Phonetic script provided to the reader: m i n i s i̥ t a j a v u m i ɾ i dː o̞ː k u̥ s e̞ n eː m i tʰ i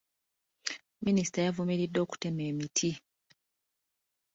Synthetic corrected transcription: m i n i s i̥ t a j a v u m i ɾ i dː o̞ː k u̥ t e̞ m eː m i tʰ i